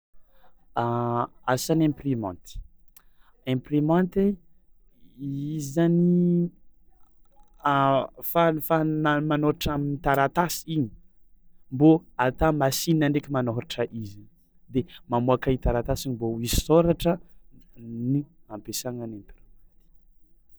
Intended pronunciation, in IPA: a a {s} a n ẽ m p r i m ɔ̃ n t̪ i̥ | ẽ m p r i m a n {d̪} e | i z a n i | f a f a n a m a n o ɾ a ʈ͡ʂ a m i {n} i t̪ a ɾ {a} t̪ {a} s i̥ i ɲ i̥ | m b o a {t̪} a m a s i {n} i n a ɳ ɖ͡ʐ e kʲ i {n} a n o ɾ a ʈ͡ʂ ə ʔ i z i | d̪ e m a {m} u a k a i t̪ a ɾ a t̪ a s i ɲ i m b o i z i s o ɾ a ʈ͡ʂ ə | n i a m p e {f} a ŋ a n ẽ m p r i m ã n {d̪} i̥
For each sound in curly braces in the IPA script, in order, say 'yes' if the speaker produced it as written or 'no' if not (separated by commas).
yes, no, yes, yes, yes, yes, yes, no, yes, no, no